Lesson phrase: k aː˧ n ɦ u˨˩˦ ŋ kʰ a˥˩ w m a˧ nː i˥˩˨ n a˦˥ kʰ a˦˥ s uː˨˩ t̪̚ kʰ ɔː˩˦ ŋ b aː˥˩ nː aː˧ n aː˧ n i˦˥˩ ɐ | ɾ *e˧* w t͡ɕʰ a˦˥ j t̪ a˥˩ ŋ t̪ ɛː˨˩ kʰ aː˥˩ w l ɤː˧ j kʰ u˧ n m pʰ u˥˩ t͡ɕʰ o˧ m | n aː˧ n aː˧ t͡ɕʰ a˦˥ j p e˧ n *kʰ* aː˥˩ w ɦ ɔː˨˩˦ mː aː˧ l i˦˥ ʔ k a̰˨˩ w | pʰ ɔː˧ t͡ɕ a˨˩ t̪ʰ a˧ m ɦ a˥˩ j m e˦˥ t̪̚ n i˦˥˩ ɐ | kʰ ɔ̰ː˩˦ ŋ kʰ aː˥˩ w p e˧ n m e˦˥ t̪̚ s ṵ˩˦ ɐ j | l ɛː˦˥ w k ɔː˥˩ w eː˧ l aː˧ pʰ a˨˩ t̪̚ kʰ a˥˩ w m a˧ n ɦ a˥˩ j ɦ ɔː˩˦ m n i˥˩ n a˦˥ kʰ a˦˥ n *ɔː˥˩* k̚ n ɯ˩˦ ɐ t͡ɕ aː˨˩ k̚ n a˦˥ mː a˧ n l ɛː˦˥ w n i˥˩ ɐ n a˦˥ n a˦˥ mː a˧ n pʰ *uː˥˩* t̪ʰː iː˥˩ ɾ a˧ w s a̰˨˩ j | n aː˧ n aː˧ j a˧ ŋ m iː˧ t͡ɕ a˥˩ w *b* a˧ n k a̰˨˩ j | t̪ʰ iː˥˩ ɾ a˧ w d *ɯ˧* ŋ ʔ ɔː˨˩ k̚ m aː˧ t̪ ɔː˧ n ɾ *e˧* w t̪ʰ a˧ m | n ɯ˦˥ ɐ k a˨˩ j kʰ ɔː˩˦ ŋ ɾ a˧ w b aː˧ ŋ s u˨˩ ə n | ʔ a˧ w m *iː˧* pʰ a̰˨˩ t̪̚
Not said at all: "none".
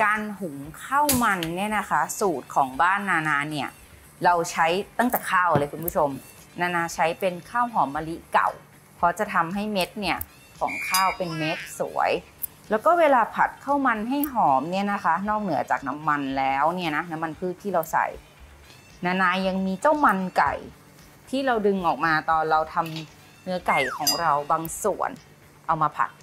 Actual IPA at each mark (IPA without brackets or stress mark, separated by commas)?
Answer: a˧, kʰ, ɔː˥˩, ɯː˥˩, m, ɯ˧, a˧, aː˧